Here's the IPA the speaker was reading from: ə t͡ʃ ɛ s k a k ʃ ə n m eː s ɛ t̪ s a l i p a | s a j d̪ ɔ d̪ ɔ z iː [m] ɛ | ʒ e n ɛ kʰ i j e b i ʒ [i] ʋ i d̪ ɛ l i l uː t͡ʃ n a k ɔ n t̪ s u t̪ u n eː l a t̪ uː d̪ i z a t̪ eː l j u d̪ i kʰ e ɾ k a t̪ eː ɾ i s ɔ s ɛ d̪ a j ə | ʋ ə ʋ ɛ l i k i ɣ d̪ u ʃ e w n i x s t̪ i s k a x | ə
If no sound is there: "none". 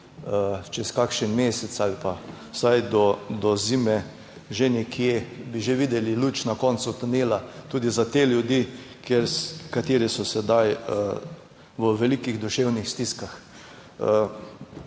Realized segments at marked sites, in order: m, e

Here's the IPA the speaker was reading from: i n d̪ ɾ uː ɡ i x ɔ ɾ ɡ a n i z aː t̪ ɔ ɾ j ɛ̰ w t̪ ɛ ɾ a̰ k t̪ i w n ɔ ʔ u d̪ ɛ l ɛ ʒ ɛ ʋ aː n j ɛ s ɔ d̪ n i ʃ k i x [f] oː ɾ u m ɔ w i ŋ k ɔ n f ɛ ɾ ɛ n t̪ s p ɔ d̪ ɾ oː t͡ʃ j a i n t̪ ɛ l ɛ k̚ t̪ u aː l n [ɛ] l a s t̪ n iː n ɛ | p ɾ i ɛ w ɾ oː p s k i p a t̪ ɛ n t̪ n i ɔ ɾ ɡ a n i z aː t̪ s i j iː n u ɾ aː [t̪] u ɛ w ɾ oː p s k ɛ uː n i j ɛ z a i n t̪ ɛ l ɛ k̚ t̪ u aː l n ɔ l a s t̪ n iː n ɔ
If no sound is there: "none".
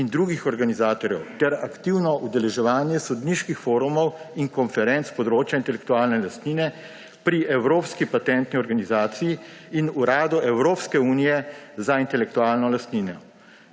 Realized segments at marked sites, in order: f, ɛ, d̪

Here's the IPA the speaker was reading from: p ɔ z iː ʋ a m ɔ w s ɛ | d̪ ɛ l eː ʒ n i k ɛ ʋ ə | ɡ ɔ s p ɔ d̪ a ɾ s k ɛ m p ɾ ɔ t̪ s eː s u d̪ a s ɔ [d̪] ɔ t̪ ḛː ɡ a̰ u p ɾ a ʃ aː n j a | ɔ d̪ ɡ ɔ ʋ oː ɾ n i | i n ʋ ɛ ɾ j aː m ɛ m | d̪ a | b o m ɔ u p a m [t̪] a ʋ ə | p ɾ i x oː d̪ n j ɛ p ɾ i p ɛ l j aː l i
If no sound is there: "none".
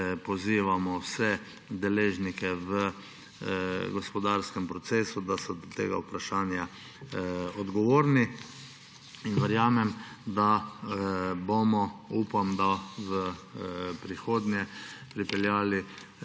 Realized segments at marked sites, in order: d̪, d̪

